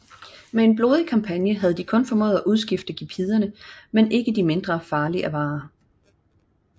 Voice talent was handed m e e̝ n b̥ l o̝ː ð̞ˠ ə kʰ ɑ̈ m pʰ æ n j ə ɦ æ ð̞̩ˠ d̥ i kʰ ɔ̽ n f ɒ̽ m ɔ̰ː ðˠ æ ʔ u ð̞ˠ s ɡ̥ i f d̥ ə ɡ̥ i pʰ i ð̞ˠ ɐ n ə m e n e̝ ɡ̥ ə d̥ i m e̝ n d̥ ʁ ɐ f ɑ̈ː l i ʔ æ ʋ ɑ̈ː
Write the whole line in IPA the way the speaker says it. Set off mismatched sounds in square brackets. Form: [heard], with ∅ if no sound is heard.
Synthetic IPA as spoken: m e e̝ n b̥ l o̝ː ð̞ˠ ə kʰ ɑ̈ m pʰ æ n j ə ɦ æ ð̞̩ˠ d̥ i kʰ ɔ̽ n f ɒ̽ m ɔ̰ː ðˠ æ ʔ u ð̞ˠ s ɡ̥ i f d̥ ə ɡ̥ i pʰ i ð̞ˠ ɐ n ə m e n e̝ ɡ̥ ə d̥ i m e̝ n d̥ ʁ ɐ f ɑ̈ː l i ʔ æ ʋ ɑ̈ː